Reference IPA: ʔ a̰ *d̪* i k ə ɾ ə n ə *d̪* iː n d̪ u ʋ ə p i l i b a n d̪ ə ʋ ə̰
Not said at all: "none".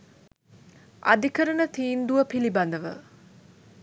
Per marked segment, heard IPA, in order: d̪, t̪

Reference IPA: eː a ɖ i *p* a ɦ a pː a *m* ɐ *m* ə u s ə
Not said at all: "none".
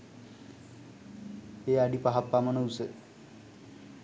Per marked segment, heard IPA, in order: p, m, n

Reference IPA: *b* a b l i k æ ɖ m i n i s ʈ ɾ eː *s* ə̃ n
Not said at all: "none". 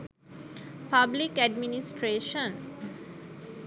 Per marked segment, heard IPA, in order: p, ʃ

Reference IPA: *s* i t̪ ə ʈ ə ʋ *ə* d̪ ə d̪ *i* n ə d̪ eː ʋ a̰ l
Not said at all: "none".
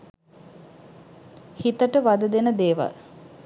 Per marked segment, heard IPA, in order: h, a, e

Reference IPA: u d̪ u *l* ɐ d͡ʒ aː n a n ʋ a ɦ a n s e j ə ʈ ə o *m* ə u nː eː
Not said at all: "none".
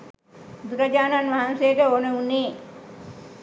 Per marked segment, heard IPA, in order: ɾ, n

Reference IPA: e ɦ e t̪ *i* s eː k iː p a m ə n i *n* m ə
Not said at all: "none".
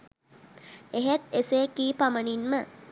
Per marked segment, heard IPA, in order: e, n

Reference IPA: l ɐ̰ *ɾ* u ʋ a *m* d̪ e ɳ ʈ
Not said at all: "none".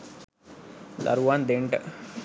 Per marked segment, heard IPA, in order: ɾ, n

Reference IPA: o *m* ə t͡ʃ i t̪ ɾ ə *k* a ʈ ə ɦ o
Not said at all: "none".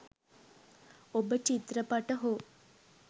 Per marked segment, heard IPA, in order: b, p

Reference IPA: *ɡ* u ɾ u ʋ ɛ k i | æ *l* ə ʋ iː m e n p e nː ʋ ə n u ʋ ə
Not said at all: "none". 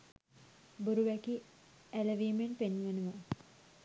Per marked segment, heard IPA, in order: b, l

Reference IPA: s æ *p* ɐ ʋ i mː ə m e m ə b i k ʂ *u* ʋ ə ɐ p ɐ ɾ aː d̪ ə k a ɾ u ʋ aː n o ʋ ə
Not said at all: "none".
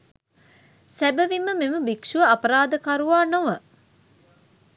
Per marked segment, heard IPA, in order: b, u

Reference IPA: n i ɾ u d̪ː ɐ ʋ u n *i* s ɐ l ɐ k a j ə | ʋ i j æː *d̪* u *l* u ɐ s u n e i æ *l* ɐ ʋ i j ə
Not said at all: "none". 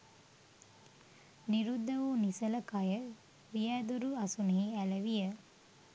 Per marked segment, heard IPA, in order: i, d̪, ɾ, l

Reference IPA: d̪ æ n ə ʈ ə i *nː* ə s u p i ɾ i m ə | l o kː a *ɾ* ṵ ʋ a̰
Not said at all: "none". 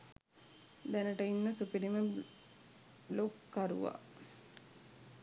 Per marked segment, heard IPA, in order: nː, ɾ

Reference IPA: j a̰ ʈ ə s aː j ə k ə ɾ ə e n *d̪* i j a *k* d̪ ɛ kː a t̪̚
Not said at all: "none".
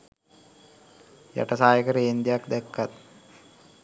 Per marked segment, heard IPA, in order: d̪, k

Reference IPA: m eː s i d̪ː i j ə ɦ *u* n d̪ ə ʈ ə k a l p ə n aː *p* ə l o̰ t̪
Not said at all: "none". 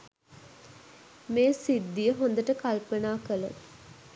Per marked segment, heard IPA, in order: o, k

